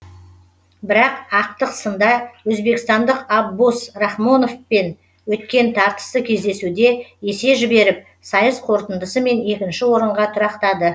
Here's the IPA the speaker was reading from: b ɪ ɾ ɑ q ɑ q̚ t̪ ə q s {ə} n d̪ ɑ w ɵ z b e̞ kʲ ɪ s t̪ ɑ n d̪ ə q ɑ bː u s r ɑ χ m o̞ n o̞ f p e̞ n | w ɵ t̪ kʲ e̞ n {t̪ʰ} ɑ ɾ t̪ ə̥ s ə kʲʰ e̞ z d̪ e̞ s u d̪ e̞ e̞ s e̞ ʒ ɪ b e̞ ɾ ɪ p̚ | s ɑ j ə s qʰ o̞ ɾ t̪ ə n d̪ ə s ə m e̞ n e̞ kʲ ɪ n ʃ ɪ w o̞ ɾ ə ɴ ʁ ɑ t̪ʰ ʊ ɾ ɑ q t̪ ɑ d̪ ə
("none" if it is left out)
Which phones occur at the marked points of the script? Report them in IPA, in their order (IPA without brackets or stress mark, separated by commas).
ə, t̪ʰ